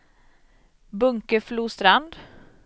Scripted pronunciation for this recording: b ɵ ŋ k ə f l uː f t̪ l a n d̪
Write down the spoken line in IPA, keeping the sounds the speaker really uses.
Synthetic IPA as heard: b ɵ ŋ k ə f l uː s t̪ ɾ a n d̪